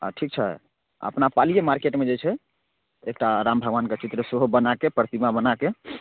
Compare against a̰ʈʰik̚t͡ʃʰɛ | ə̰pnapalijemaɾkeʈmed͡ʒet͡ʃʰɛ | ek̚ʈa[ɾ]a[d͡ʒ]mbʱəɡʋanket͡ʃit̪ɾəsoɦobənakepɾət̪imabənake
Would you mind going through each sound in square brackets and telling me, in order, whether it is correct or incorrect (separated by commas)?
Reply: correct, incorrect